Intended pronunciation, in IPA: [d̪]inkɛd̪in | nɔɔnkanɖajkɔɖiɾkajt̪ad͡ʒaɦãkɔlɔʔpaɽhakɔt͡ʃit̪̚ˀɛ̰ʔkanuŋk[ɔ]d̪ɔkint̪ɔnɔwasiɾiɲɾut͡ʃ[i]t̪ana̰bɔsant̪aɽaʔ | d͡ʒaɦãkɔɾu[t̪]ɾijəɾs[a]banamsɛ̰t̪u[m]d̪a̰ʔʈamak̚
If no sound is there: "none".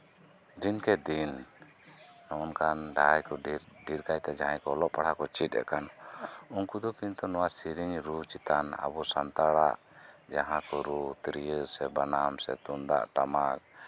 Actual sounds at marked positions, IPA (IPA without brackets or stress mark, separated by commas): d̪, u, i, t̪, ɛ, n